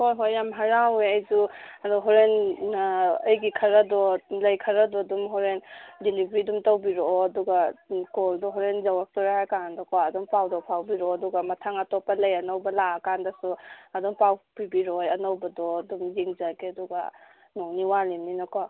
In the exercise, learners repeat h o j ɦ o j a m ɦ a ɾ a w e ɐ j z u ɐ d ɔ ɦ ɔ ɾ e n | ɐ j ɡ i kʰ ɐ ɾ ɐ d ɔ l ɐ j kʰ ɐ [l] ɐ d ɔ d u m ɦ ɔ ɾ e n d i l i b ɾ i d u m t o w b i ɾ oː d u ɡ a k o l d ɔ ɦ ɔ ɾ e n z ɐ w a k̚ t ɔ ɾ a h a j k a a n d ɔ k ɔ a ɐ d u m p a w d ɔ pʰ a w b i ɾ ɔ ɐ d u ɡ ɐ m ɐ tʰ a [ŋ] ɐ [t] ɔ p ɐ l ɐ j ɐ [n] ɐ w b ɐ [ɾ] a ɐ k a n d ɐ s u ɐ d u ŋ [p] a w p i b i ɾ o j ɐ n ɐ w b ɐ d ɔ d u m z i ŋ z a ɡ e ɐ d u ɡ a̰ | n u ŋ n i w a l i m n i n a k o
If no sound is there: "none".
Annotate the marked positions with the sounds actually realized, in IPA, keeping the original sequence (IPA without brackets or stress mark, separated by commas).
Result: ɾ, ŋ, t, n, l, p